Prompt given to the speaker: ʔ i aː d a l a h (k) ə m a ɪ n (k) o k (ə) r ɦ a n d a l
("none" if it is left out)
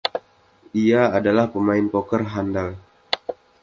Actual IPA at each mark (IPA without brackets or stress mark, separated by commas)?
p, p, ə